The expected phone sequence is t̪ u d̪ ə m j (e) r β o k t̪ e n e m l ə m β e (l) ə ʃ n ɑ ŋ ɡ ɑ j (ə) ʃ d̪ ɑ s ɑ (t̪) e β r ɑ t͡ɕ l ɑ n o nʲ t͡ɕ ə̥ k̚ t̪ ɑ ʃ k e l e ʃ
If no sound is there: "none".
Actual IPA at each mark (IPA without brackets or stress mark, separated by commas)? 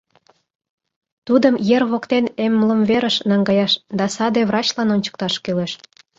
e, ɾ, ɑ, d̪